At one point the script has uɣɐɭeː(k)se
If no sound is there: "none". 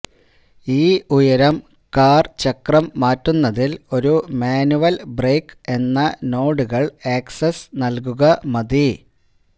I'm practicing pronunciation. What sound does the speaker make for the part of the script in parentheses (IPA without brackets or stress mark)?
k